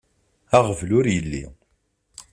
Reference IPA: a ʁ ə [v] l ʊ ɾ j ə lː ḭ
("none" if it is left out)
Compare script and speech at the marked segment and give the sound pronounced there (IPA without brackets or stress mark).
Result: v